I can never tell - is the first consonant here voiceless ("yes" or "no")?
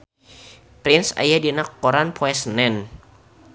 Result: yes